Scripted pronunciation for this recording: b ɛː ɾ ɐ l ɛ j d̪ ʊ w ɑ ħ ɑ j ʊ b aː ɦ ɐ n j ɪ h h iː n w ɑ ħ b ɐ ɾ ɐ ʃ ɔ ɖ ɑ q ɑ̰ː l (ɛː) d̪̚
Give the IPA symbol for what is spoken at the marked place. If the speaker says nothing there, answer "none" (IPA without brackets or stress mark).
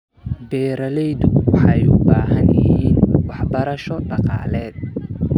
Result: ɛː